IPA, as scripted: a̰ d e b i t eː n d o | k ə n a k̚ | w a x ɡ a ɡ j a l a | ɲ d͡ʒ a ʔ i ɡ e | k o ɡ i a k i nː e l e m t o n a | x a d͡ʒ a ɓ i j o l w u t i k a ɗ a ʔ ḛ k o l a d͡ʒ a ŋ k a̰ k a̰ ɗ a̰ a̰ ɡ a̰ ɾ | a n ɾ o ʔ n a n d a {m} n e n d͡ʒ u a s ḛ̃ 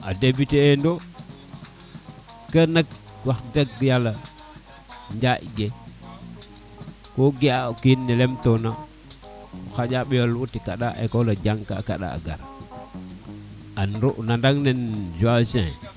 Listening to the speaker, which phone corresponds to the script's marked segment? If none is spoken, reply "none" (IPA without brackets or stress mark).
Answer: ŋ